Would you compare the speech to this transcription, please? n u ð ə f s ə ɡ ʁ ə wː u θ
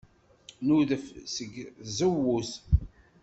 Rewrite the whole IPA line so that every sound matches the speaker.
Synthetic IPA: n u ð ə f s ə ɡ z ə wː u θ

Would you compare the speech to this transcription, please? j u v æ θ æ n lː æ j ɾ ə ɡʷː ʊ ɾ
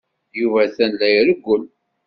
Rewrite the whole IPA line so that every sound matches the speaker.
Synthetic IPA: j u v æ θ æ n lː æ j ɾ ə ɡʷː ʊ l

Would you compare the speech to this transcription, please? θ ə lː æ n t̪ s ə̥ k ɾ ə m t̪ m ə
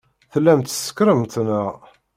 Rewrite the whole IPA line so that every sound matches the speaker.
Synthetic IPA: θ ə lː æ m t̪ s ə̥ k ɾ ə m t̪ n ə

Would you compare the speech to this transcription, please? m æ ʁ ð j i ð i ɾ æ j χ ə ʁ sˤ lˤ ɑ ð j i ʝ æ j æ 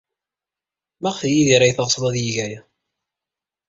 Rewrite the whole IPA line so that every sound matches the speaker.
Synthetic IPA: m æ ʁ θ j i ð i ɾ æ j θ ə ʁ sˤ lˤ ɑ ð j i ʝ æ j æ

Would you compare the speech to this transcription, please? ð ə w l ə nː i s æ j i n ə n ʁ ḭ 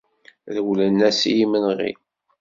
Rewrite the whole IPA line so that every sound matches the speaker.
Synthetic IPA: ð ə w l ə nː æ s i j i m ə n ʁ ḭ

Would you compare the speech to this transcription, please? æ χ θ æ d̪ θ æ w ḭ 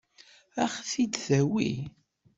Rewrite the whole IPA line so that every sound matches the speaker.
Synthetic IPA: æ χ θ i d̪ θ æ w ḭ

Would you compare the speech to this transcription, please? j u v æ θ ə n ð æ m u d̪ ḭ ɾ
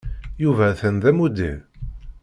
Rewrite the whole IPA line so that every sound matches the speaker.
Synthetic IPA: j u v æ θ ə n ð æ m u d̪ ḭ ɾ

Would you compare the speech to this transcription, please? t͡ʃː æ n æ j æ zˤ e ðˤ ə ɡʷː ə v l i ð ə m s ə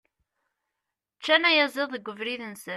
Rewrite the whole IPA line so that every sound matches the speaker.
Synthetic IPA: t͡ʃː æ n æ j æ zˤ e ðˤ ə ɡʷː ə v ɾ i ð ə n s ə

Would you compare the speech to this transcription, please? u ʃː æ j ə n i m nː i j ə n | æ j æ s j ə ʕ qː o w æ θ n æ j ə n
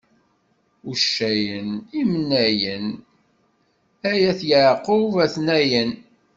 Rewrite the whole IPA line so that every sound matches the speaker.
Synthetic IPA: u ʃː æ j ə n i m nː æ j ə n | æ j æ θ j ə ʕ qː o v æ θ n æ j ə n

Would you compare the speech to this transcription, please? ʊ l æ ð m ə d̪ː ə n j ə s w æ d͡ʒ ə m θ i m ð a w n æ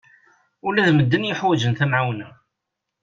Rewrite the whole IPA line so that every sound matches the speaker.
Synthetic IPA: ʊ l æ ð m ə d̪ː ə n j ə ħ w æ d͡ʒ ə n θ æ m ʕ a w n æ

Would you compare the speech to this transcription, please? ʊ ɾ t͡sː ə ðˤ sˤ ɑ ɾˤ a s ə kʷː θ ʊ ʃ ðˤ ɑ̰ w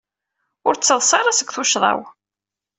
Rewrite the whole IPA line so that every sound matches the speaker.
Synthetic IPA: ʊ ɾ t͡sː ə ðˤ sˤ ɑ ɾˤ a s ə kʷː θ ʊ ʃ ðˤ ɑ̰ w

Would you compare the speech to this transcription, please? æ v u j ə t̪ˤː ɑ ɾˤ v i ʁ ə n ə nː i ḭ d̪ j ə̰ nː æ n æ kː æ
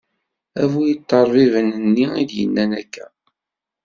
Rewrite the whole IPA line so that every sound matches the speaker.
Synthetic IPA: æ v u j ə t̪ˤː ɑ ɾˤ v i v ə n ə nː i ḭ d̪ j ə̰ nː æ n æ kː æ

